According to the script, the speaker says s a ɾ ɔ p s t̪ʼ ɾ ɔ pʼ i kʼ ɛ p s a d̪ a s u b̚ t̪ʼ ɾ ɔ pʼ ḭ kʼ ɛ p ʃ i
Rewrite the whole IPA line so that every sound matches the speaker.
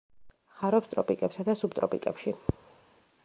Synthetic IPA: χ a ɾ ɔ p s t̪ʼ ɾ ɔ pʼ i kʼ ɛ p s a d̪ a s u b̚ t̪ʼ ɾ ɔ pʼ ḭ kʼ ɛ p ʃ i